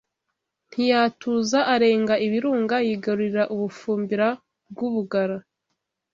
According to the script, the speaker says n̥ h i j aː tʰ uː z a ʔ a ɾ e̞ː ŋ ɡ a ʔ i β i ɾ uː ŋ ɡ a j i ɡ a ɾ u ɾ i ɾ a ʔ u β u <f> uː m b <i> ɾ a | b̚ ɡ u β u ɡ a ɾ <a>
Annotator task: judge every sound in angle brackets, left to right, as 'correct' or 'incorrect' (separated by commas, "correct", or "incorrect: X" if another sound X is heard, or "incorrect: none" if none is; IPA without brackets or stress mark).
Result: correct, correct, correct